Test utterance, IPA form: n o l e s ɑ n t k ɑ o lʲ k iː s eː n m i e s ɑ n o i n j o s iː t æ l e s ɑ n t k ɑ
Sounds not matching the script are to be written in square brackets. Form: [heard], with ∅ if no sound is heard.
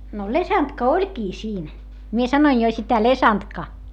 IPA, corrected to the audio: n o l e s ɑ n t k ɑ o lʲ k iː s [iː] n m i e s ɑ n o i n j o s [i] t æ l e s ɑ n t k ɑ